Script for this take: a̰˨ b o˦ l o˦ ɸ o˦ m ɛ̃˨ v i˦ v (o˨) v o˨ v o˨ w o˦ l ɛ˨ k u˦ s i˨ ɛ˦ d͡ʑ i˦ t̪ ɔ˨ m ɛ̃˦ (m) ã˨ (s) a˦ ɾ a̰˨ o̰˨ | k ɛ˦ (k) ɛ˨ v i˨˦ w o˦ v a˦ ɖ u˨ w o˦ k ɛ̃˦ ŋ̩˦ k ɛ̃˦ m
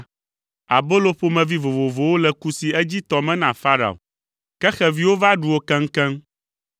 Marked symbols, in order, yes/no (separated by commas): yes, no, no, no